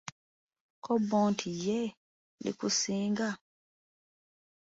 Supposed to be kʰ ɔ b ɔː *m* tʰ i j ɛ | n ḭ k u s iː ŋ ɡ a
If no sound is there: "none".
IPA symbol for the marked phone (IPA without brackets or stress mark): n